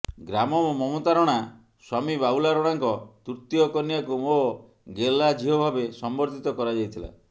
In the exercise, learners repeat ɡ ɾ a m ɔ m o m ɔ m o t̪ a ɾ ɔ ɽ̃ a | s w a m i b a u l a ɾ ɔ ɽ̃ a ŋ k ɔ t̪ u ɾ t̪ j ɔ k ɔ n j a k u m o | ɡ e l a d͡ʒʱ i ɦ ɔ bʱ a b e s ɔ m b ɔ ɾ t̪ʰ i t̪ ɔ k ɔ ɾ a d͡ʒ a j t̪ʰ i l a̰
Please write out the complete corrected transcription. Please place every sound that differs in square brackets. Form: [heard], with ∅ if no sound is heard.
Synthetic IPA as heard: ɡ ɾ a m ɔ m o m ɔ m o t̪ a ɾ ɔ ɽ̃ a | s w a m i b a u l a ɾ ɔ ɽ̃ a ŋ k ɔ t̪ u ɾ t̪ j ɔ k ɔ n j a k u m o | ɡ e l a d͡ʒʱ i ɦ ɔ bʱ a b e s ɔ m b ɔ ɾ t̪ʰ i t̪ ɔ k ɔ ɾ a d͡ʒ a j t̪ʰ i l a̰